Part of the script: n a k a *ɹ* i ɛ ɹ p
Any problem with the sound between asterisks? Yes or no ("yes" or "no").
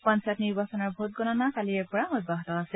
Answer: yes